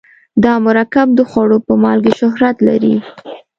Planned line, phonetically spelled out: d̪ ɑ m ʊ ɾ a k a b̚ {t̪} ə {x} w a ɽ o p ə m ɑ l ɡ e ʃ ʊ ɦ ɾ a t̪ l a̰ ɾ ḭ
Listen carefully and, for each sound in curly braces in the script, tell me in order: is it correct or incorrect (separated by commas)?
incorrect, correct